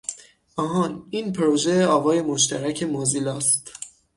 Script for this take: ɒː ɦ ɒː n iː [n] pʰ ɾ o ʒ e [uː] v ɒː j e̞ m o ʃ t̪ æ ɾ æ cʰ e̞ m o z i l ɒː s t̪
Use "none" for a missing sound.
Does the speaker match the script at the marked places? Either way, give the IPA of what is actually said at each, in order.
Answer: n, ɒː

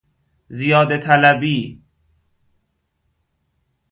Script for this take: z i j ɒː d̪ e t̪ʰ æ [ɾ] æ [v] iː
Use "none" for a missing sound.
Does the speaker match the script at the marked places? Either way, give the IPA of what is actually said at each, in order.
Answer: l, b

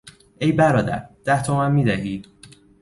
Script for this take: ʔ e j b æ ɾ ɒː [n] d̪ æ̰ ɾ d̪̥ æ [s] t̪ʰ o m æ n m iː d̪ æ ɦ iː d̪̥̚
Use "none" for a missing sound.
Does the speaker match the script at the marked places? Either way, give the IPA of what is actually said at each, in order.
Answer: none, h

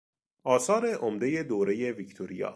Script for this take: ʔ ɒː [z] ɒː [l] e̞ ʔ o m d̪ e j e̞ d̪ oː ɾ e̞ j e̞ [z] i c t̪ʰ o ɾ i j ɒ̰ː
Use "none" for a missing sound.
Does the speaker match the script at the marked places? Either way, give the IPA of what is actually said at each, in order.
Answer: s, ɾ, v

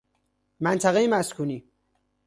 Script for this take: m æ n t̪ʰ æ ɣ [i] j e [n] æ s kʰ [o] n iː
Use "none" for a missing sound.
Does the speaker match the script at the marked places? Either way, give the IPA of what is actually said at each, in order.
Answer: e, m, u

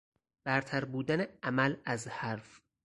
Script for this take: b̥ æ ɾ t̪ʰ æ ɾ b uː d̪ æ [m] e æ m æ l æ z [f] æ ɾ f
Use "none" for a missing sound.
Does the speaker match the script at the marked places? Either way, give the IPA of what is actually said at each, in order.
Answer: n, h

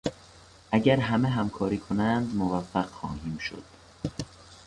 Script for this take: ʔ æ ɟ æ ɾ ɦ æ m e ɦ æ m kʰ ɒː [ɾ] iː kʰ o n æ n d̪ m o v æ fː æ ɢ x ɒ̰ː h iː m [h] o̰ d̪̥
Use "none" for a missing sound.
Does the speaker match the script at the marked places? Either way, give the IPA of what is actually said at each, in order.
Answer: ɾ, ʃ

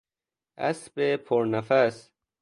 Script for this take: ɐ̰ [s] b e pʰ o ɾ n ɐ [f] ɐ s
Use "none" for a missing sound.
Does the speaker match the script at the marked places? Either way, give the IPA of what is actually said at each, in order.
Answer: s, f

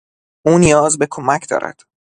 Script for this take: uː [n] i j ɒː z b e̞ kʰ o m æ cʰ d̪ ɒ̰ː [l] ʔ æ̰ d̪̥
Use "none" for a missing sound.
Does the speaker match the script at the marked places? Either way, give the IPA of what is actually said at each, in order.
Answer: n, ɾ

